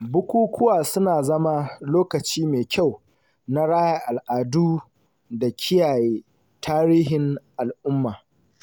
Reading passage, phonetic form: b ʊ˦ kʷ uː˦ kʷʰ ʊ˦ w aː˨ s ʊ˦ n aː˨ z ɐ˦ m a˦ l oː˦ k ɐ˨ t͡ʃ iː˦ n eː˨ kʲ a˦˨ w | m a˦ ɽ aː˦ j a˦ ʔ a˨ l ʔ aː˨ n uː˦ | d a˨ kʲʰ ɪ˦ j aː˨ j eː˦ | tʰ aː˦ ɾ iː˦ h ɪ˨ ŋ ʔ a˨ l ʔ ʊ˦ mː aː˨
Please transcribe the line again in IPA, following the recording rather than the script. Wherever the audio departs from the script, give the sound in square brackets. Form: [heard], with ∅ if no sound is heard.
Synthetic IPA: b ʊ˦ kʷ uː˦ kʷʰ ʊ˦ w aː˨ s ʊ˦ n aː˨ z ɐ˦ m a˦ l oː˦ k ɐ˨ t͡ʃ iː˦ [m] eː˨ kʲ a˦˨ w | [n] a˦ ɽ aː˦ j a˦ ʔ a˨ l ʔ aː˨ [d] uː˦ | d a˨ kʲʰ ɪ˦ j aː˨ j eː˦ | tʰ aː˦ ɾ iː˦ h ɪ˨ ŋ ʔ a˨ l ʔ ʊ˦ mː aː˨